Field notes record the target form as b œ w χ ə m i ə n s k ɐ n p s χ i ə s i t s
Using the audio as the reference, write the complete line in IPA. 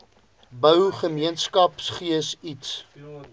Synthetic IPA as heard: b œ w χ ə m i ə n s k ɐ p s χ i ə s i t s